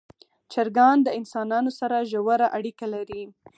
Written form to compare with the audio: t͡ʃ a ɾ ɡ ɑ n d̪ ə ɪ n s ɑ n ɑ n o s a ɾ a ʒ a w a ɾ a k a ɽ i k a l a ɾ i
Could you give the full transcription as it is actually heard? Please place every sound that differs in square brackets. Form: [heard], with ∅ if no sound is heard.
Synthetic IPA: t͡ʃ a ɾ ɡ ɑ n d̪ ə ɪ n s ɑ n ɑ n o s a ɾ a ʒ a w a ɾ a [ʔ] a ɽ i k a l a ɾ i